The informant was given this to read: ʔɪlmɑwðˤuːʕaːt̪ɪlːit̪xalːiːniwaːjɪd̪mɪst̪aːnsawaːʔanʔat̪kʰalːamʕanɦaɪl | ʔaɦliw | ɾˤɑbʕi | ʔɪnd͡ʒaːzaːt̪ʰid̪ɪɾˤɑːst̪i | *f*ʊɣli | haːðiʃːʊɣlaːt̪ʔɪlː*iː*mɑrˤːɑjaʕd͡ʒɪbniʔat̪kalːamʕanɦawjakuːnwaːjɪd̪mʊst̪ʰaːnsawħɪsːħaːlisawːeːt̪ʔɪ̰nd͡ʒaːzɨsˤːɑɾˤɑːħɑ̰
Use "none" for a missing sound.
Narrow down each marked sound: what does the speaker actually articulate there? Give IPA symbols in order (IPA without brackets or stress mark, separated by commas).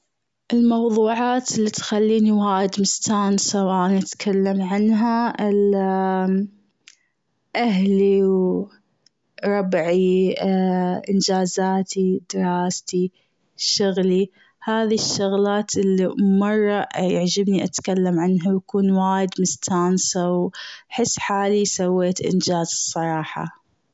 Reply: ʃ, i